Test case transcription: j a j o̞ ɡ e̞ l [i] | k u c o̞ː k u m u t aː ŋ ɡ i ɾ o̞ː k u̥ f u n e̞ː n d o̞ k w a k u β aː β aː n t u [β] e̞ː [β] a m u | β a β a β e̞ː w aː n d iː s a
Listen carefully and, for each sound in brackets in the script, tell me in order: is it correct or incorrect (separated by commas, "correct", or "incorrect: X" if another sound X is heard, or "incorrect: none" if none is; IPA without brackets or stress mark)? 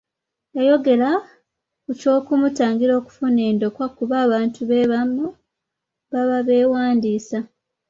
incorrect: a, correct, correct